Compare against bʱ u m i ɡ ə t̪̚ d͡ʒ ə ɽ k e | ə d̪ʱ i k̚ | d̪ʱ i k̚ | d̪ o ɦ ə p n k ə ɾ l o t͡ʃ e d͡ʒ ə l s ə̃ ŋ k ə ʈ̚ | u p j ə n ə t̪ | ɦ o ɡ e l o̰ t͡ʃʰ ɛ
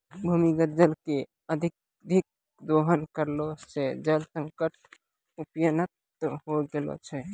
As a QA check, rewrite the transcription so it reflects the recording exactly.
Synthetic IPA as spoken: bʱ u m i ɡ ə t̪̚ d͡ʒ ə l k e | ə d̪ʱ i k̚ | d̪ʱ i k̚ | d̪ o ɦ ə n k ə ɾ l o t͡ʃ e d͡ʒ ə l s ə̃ ŋ k ə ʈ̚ | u p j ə n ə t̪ | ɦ o ɡ e l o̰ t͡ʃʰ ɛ